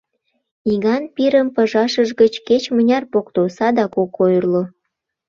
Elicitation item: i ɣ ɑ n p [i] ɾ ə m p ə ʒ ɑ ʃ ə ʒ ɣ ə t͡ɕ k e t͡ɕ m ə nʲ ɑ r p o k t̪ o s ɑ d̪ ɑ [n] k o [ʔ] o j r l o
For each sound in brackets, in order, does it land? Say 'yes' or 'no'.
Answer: yes, no, no

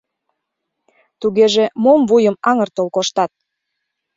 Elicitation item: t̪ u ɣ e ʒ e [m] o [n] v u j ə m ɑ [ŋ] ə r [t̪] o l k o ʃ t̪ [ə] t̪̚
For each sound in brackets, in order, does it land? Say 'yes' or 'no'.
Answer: yes, no, yes, yes, no

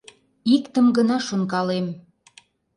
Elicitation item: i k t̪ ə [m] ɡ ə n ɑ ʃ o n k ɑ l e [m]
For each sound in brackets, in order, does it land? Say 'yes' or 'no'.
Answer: yes, yes

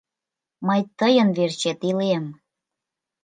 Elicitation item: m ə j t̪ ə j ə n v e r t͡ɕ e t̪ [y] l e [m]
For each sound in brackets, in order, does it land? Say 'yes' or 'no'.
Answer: no, yes

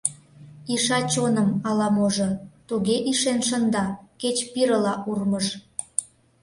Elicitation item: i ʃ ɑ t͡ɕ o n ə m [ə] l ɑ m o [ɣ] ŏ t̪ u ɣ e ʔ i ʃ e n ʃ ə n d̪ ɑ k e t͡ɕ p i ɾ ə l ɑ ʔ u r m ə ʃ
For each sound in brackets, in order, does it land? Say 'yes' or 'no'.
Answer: no, no

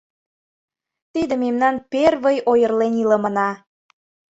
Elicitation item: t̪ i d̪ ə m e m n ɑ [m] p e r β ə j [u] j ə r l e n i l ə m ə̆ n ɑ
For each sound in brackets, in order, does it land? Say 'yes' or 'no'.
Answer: no, no

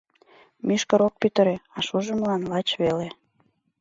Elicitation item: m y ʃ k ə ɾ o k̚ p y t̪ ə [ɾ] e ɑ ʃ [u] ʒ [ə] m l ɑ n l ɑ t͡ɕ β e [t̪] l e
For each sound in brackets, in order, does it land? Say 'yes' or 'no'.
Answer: yes, yes, yes, no

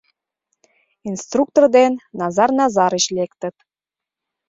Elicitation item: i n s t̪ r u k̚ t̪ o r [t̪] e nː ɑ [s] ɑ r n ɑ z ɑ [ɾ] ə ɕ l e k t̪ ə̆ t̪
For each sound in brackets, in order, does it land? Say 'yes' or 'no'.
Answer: no, no, yes

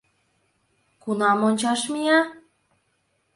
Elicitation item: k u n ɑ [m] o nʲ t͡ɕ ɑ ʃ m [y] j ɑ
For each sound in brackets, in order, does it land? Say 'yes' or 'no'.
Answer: yes, no

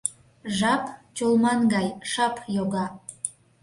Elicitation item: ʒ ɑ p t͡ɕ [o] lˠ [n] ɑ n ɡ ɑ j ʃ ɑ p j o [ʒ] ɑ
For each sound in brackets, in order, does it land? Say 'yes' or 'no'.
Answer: yes, no, no

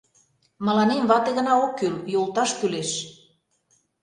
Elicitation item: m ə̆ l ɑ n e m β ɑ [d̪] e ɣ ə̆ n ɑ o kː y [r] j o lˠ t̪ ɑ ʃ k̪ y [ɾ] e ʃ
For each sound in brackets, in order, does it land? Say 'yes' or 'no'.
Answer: no, no, no

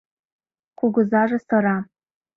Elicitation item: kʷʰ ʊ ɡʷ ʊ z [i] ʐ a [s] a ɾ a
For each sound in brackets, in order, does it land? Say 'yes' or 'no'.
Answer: no, yes

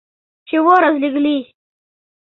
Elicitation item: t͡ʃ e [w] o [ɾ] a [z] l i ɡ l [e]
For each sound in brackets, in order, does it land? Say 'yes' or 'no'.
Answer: yes, yes, yes, no

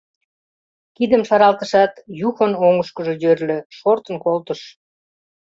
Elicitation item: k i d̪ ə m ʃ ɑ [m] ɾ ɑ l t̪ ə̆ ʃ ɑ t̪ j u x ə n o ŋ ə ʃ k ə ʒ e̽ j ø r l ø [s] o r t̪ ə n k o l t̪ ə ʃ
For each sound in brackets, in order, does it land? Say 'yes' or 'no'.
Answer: no, no

